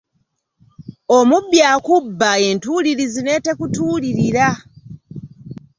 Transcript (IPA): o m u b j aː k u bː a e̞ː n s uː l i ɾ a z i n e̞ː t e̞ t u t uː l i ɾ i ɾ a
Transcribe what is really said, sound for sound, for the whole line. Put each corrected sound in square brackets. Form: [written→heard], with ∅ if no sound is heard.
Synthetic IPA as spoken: o m u b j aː k u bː a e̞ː n [s→t] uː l i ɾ [a→i] z i n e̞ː t e̞ [t→k] u t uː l i ɾ i ɾ a